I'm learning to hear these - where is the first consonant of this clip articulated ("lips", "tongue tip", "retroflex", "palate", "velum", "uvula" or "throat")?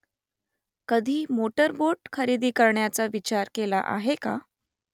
velum